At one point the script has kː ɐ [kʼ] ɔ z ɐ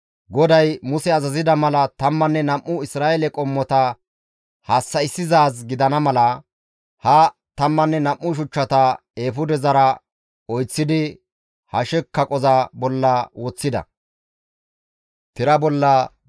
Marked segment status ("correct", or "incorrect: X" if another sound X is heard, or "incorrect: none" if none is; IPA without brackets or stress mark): correct